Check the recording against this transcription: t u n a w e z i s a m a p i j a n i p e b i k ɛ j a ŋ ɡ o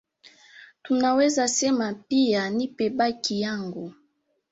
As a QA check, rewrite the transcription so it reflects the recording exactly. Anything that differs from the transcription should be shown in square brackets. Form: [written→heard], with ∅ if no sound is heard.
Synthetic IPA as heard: t u n a w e z [i→a] s [a→ɛ] m a p i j a n i p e b [i→a] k [ɛ→i] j a ŋ ɡ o